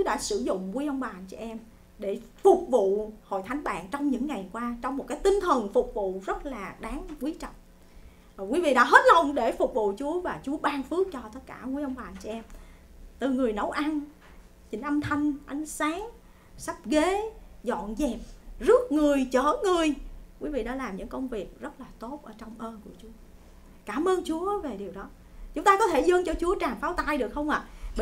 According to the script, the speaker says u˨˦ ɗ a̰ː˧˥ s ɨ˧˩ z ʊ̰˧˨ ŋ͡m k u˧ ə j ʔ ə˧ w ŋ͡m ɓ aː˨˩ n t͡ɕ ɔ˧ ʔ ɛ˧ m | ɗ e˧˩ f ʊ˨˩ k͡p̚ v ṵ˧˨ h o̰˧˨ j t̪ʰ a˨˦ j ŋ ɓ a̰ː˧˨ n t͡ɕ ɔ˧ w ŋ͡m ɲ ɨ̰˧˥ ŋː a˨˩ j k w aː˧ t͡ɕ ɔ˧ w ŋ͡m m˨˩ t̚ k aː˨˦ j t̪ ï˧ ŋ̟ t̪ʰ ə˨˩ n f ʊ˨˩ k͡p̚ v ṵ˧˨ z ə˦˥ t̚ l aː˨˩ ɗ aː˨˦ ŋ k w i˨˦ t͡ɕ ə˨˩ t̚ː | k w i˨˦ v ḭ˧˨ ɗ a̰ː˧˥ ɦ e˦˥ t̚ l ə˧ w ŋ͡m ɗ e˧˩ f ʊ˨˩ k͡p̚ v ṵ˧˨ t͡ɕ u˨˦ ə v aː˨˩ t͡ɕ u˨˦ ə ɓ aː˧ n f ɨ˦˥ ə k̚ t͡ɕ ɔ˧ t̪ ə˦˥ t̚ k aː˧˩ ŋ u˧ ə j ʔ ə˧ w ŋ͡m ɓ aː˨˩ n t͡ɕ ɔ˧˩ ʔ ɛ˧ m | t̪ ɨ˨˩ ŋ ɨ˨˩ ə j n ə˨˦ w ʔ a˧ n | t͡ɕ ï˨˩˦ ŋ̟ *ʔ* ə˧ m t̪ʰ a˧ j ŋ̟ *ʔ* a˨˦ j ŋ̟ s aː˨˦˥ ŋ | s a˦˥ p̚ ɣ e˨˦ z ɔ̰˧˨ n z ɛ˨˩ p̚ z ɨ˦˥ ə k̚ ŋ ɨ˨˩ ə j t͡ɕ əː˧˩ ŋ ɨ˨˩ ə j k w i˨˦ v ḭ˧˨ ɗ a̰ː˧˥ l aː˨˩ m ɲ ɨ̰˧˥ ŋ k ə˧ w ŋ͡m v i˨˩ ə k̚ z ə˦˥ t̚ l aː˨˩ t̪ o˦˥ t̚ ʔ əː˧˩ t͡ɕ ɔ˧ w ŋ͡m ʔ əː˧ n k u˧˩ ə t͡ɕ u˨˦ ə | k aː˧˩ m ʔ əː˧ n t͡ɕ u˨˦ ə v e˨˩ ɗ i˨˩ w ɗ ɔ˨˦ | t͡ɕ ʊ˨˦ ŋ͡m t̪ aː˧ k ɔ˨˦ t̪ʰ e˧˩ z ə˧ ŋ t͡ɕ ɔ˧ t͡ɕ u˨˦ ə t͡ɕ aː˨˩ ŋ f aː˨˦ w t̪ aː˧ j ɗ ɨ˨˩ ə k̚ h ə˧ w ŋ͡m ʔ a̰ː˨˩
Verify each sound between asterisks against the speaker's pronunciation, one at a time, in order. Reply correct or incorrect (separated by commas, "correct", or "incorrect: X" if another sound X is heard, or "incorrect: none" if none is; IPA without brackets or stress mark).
correct, correct